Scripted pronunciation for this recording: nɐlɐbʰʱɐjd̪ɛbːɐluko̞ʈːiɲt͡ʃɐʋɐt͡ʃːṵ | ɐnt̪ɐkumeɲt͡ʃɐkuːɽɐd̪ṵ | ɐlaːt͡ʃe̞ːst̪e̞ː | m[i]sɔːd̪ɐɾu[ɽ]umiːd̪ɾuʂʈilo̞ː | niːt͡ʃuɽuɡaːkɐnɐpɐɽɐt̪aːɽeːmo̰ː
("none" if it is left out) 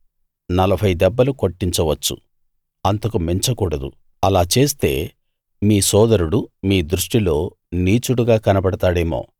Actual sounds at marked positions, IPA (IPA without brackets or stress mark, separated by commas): iː, ɽ